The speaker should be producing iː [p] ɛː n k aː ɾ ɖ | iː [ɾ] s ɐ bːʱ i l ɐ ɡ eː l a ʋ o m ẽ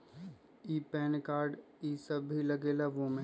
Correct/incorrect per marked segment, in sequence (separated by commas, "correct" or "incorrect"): correct, incorrect